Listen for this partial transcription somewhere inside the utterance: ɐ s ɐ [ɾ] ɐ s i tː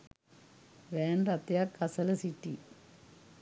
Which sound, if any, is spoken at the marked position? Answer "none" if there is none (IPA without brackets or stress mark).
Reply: l